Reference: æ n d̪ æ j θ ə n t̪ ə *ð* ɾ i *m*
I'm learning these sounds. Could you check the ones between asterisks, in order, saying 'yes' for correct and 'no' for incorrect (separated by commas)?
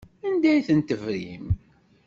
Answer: no, yes